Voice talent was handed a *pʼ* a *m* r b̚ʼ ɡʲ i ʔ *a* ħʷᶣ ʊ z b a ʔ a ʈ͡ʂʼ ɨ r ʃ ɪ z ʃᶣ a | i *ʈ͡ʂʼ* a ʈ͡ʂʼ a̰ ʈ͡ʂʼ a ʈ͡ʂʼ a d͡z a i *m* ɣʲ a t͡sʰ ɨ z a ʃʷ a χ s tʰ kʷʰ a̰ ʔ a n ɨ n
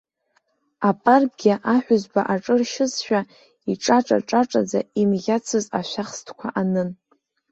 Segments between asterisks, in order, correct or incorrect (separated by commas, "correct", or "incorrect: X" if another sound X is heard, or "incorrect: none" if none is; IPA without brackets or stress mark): correct, incorrect: none, correct, correct, correct